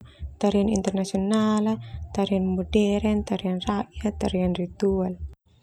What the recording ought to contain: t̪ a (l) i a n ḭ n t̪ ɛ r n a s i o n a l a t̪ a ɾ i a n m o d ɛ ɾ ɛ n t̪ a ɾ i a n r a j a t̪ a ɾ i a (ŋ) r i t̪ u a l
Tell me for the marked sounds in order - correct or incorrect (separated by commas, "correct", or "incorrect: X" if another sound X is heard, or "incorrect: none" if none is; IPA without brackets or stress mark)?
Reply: incorrect: ɾ, incorrect: n